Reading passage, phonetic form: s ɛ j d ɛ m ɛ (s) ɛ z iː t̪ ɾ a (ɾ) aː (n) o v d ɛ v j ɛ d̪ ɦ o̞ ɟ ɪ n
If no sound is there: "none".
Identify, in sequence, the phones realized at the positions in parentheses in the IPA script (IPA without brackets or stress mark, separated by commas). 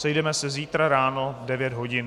s, ɾ, n